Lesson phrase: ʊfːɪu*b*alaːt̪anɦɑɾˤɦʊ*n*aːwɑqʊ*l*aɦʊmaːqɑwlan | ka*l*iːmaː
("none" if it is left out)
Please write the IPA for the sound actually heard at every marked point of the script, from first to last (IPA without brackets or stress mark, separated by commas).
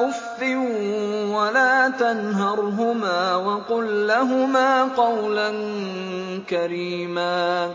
w, m, lː, ɾ